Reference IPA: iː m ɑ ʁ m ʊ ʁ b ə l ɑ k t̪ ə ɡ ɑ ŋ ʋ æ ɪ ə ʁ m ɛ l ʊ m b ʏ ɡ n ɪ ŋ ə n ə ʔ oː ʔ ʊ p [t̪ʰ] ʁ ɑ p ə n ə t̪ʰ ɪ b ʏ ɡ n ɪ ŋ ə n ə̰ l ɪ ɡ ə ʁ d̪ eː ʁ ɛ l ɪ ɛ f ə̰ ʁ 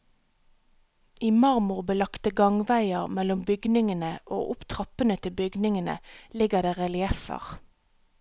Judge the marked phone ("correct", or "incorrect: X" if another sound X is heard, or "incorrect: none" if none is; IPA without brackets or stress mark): correct